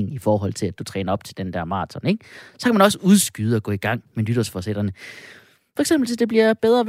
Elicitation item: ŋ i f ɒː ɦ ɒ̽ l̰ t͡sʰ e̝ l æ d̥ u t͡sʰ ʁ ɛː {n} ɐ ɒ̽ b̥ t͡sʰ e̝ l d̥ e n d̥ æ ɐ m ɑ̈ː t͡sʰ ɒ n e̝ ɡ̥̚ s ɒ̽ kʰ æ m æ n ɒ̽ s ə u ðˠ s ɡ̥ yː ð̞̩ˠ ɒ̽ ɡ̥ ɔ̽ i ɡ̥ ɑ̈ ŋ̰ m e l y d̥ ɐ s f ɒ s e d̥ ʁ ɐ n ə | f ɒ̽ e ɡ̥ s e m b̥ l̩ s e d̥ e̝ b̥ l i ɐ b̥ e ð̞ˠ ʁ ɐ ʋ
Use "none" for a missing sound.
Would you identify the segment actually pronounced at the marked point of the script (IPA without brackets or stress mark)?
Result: n